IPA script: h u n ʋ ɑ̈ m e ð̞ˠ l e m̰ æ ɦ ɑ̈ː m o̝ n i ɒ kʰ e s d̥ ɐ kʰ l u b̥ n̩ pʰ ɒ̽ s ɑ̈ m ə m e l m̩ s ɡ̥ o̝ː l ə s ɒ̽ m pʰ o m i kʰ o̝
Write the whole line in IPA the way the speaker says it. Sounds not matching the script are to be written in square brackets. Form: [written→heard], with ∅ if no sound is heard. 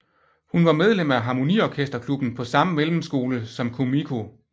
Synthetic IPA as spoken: h u n ʋ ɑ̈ m e ð̞ˠ l e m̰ æ ɦ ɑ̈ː m o̝ n i ɒ kʰ e s d̥ ɐ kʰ l u b̥ n̩ pʰ ɒ̽ s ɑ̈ m ə m e l m̩ s ɡ̥ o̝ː l ə s ɒ̽ m [pʰ→kʰ] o m i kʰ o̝